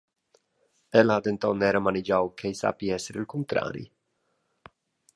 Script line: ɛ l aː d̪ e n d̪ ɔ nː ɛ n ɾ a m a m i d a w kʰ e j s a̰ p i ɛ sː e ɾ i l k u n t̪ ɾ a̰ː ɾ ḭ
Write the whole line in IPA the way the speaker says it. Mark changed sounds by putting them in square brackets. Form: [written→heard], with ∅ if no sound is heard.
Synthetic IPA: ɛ l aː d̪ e n [d̪→t̪] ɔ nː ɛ [n→∅] ɾ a m a [m→n] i [d→d͡ʒ] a w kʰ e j s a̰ p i ɛ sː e ɾ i l k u n t̪ ɾ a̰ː ɾ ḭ